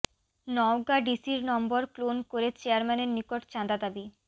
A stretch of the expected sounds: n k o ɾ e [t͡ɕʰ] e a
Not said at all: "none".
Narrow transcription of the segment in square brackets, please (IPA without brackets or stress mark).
t͡ɕ